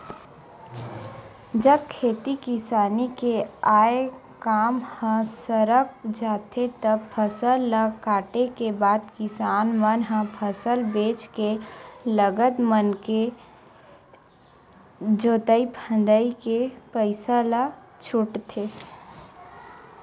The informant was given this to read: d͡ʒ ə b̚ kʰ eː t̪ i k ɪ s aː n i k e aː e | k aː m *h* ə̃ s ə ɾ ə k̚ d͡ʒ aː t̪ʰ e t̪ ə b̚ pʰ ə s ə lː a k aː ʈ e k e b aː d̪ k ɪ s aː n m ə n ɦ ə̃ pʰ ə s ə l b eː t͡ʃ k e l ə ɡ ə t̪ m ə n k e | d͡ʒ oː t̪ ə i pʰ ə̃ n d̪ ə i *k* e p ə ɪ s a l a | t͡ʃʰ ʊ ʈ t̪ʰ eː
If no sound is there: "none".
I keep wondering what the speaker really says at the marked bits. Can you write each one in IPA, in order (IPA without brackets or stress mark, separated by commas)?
h, k